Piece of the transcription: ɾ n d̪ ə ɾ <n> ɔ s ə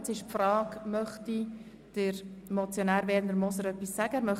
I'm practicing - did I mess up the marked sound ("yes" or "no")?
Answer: yes